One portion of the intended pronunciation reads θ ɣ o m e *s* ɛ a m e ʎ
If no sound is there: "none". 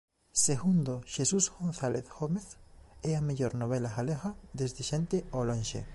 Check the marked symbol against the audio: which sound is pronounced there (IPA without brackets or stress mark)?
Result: θ